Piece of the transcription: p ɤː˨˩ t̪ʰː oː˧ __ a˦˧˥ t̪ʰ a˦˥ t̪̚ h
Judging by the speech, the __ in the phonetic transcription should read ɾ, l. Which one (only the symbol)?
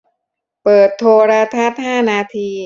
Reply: ɾ